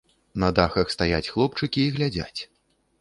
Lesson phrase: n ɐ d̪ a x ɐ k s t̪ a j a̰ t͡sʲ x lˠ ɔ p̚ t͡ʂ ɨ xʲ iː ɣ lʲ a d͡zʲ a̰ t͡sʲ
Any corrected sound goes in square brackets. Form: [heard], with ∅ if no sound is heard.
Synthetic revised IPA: n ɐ d̪ a x ɐ [x] s t̪ a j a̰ t͡sʲ x lˠ ɔ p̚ t͡ʂ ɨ [kʲ] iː ɣ lʲ a d͡zʲ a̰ t͡sʲ